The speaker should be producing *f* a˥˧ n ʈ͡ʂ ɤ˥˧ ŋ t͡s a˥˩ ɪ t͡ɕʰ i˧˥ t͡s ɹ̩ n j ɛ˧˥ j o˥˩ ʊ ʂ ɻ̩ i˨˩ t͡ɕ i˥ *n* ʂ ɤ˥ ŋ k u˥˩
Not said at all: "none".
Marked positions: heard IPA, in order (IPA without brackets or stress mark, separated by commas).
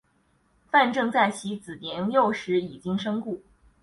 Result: f, ŋ